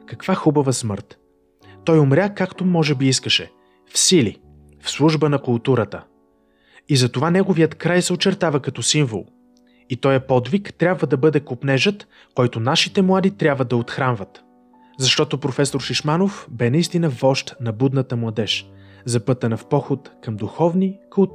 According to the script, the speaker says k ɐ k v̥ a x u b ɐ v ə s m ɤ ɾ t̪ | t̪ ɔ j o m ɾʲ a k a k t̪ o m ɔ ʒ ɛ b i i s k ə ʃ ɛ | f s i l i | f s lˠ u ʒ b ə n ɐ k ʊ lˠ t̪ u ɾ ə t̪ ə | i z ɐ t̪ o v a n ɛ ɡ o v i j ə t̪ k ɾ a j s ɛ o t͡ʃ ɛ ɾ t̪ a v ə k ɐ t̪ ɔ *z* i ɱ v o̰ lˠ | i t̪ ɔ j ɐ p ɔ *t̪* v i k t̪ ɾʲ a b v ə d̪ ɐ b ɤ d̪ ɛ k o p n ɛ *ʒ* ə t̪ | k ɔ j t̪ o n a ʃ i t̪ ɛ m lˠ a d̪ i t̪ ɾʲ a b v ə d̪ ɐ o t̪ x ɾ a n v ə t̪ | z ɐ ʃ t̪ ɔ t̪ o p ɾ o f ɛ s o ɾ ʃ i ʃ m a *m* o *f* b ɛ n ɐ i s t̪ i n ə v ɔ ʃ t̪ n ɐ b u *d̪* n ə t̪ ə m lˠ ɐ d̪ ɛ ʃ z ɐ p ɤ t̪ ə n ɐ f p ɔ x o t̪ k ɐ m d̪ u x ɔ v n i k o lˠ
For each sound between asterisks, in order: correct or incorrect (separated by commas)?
incorrect, incorrect, correct, incorrect, correct, correct